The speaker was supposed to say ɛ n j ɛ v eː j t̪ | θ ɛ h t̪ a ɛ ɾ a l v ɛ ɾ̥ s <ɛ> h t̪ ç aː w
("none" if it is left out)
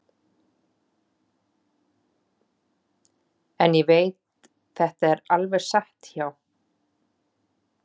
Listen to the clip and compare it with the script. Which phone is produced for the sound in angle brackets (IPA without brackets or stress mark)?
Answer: a